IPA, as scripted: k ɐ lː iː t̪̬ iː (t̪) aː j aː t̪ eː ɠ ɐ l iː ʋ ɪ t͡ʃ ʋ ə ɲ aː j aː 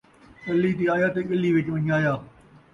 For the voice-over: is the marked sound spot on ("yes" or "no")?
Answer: no